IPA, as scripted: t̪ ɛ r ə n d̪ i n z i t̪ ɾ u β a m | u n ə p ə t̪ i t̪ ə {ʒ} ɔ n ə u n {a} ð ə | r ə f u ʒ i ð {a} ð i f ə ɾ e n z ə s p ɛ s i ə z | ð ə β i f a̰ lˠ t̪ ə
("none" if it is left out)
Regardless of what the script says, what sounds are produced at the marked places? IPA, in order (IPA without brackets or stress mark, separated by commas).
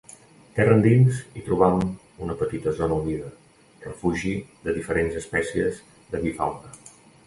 z, i, ə